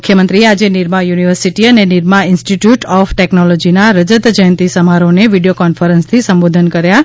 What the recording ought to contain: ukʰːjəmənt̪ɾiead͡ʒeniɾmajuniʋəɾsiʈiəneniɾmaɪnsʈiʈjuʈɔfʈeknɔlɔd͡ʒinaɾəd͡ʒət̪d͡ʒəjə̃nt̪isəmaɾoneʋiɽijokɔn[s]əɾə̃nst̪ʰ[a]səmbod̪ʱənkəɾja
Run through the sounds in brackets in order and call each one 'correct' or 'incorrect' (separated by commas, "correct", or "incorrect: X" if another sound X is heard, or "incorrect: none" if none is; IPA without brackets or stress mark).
incorrect: f, incorrect: i